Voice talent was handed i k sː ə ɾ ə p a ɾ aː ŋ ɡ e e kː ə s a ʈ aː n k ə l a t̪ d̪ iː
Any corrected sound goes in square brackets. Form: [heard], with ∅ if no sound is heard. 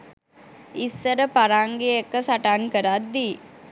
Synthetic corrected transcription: i [∅] sː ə ɾ ə p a ɾ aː ŋ ɡ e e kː ə s a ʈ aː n k ə [ɾ] a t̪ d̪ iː